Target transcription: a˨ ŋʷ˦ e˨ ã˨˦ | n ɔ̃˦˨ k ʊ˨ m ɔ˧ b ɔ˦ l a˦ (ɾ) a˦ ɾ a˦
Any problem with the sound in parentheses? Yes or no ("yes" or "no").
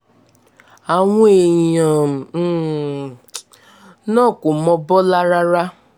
no